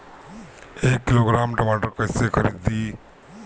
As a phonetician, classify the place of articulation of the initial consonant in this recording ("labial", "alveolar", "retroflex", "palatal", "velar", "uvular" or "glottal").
velar